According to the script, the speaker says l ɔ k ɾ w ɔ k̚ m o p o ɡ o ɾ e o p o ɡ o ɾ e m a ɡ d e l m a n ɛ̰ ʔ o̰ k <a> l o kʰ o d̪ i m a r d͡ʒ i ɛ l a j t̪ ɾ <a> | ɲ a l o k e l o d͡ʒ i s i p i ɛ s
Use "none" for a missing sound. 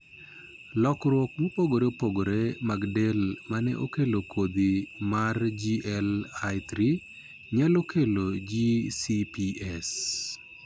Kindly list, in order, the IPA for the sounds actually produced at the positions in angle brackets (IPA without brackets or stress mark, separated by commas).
e, i